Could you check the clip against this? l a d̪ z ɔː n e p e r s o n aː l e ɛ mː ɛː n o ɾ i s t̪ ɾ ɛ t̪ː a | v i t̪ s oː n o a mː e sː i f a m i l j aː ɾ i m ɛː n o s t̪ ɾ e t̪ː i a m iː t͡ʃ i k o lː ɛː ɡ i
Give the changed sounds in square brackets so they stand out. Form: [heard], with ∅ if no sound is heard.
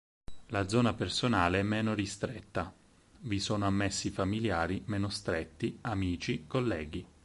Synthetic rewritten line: l a d̪ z ɔː n [a] p e r s o n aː l e ɛ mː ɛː n o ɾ i s t̪ ɾ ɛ t̪ː a | v i [∅] s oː n o a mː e sː i f a m i l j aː ɾ i m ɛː n o s t̪ ɾ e t̪ː i a m iː t͡ʃ i k o lː ɛː ɡ i

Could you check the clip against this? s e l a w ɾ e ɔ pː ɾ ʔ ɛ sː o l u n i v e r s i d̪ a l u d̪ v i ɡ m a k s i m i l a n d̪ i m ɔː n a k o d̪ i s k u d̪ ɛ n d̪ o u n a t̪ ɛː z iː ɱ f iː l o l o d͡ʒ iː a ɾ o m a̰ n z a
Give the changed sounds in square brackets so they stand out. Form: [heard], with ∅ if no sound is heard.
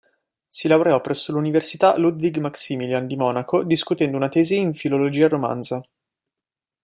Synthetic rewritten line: s [i] l a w ɾ e ɔ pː ɾ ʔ ɛ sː o l u n i v e r s i [t̪] a l u d̪ v i ɡ m a k s i m i l a n d̪ i m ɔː n a k o d̪ i s k u [t̪] ɛ n d̪ o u n a t̪ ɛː z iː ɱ f [i] l o l o d͡ʒ iː a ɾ o m a̰ n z a

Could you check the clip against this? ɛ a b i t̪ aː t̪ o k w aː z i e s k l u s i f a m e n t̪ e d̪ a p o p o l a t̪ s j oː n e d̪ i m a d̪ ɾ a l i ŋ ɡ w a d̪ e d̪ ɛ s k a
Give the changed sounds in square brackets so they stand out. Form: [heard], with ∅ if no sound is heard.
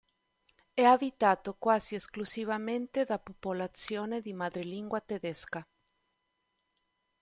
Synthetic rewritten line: ɛ a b i t̪ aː t̪ o k w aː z i e s k l u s i [v] a m e n t̪ e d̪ a p o p o l a t̪ s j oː n e d̪ i m a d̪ ɾ [e] l i ŋ ɡ w a [t̪] e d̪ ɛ s k a

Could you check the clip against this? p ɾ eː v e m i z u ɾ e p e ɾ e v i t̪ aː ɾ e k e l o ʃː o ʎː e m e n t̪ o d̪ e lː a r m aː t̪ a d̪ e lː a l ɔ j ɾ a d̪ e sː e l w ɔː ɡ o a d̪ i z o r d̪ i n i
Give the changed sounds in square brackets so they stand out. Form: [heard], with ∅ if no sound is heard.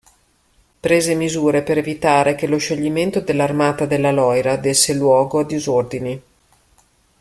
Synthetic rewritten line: p ɾ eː [z] e m i z [uː] ɾ e p e ɾ e v i t̪ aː ɾ e k e l o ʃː o ʎː [i] m e n t̪ o d̪ e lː a r m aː t̪ a d̪ e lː a l ɔ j ɾ a d̪ e sː e l w ɔː ɡ o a d̪ i z o r d̪ i n i

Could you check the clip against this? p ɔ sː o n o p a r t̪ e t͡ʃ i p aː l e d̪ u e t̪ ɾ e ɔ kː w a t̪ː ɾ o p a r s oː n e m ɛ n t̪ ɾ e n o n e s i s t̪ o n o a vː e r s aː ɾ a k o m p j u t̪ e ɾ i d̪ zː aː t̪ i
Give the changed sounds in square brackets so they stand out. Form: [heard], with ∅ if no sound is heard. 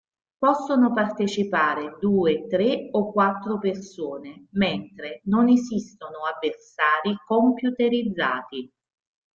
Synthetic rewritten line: p ɔ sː o n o p a r t̪ e t͡ʃ i p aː [ɾ] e d̪ [uː] e t̪ ɾ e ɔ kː w a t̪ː ɾ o p [e] r s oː n e m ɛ n t̪ ɾ e n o n e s i s t̪ o n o a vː e r s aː ɾ [i] k o m p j u t̪ e ɾ i d̪ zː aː t̪ i

